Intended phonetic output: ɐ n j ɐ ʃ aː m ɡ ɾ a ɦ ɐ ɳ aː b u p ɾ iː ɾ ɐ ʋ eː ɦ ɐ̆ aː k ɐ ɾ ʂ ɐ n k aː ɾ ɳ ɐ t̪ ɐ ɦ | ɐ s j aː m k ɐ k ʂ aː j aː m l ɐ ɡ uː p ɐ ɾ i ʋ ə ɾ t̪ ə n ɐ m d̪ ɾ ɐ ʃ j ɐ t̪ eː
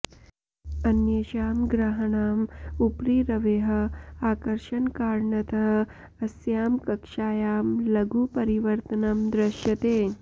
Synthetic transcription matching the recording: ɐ n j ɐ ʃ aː m ɡ ɾ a ɦ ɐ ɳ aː m u p ɾ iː ɾ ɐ ʋ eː ɦ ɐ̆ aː k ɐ ɾ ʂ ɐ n k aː ɾ ɳ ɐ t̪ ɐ ɦ | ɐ s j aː m k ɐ k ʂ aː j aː m l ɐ ɡ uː p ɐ ɾ i ʋ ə ɾ t̪ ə n ɐ m d̪ ɾ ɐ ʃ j ɐ t̪ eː

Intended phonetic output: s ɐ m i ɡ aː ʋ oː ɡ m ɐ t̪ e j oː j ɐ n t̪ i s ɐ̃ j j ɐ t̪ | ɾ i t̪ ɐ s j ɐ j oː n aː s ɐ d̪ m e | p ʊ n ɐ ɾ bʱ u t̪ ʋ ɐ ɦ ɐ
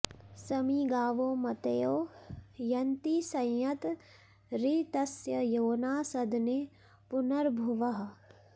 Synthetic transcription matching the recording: s ɐ m i ɡ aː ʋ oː m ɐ t̪ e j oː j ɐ n t̪ i s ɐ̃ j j ɐ t̪ | ɾ i t̪ ɐ s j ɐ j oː n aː s ɐ d̪ n e | p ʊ n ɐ ɾ bʱ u ʋ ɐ ɦ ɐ

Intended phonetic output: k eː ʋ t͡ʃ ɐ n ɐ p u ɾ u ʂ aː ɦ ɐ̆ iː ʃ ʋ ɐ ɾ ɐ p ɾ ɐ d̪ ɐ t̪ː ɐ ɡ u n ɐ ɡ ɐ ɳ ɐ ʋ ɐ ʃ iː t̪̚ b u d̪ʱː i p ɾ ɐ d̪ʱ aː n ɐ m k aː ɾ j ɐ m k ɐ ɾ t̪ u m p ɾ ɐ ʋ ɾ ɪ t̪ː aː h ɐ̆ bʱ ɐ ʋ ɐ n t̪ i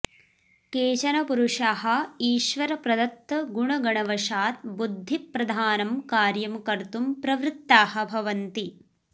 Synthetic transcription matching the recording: k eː t͡ʃ ɐ n ɐ p u ɾ u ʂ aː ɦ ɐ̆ iː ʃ ʋ ɐ ɾ ɐ p ɾ ɐ d̪ ɐ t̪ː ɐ ɡ u ɳ ɐ ɡ ɐ ɳ ɐ ʋ ɐ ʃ aː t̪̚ b u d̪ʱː i p ɾ ɐ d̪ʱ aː n ɐ m k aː ɾ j ɐ m k ɐ ɾ t̪ u m p ɾ ɐ ʋ ɾ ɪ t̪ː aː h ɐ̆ bʱ ɐ ʋ ɐ n t̪ i

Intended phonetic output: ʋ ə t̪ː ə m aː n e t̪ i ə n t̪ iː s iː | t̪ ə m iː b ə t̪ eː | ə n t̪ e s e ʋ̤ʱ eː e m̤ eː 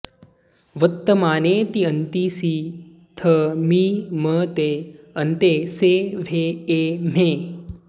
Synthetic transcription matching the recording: ʋ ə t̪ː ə m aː n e t̪ i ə n t̪ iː s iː | t̪ʰ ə m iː m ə t̪ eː | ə n t̪ e s e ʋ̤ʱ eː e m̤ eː

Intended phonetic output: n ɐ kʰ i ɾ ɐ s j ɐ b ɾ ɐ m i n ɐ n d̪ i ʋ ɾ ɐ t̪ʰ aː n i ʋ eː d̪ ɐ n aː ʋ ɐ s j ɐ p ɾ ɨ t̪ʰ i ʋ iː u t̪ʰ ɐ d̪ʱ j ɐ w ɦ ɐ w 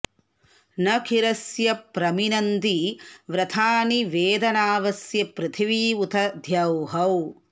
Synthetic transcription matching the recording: n ɐ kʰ i ɾ ɐ s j ɐ p ɾ ɐ m i n ɐ n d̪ i ʋ ɾ ɐ t̪ʰ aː n i ʋ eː d̪ ɐ n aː ʋ ɐ s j ɐ p ɾ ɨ t̪ʰ i ʋ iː u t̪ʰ ɐ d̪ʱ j ɐ w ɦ ɐ w

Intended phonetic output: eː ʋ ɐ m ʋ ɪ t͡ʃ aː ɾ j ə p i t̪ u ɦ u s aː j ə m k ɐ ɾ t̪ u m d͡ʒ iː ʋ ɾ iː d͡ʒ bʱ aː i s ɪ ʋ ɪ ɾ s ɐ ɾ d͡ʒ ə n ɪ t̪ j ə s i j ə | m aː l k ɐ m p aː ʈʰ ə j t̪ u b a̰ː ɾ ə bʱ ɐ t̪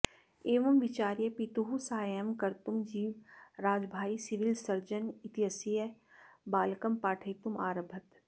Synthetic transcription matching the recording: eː ʋ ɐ m ʋ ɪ t͡ʃ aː ɾ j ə p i t̪ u ɦ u s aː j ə m k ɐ ɾ t̪ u m d͡ʒ iː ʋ ɾ aː d͡ʒ bʱ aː i s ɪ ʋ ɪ l s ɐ ɾ d͡ʒ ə n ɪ t̪ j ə s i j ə | b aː l k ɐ m p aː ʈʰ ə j t̪ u m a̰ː ɾ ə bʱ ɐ t̪

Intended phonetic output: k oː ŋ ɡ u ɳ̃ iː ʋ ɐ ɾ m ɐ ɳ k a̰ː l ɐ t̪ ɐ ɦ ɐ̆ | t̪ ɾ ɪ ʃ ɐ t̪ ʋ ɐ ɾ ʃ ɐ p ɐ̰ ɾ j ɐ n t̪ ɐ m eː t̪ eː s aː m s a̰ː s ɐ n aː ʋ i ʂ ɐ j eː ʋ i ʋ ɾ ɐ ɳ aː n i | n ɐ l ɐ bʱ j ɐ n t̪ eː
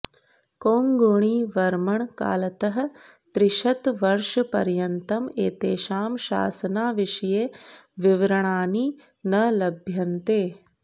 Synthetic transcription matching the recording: k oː ŋ ɡ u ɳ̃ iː ʋ ɐ ɾ m ɐ ɳ k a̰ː l ɐ t̪ ɐ ɦ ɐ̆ | t̪ ɾ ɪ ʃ ɐ t̪ ʋ ɐ ɾ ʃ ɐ p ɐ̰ ɾ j ɐ n t̪ ɐ m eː t̪ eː ʃ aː m ʃ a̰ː s ɐ n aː ʋ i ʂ ɐ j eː ʋ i ʋ ɾ ɐ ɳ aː n i | n ɐ l ɐ bʱ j ɐ n t̪ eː

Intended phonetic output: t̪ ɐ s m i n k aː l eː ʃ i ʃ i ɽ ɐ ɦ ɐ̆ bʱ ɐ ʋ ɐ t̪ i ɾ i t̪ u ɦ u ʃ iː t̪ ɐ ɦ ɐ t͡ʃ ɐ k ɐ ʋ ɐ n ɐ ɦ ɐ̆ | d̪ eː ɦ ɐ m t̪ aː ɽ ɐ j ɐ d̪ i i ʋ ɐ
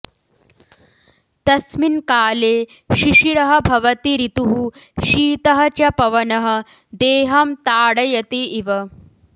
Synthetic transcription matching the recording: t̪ ɐ s m i n k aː l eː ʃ i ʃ i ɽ ɐ ɦ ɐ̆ bʱ ɐ ʋ ɐ t̪ i ɾ i t̪ u ɦ u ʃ iː t̪ ɐ ɦ ɐ t͡ʃ ɐ p ɐ ʋ ɐ n ɐ ɦ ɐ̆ | d̪ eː ɦ ɐ m t̪ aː ɽ ɐ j ɐ t̪ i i ʋ ɐ

